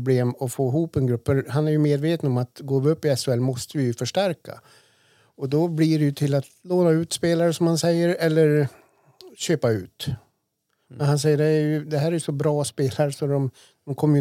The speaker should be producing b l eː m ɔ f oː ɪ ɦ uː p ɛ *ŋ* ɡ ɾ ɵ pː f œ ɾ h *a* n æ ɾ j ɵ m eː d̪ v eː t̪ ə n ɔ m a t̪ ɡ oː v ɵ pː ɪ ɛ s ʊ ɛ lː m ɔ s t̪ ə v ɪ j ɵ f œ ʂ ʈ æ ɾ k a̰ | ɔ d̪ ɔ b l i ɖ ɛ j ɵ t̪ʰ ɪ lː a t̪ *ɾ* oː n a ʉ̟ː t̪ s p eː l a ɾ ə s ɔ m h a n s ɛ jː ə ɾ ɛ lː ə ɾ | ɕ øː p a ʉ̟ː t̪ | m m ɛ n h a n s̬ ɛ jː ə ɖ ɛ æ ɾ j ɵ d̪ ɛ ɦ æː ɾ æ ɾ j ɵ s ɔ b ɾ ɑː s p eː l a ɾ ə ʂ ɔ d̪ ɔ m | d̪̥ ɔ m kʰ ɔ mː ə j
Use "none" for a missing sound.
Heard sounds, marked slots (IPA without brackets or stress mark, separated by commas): n, a, l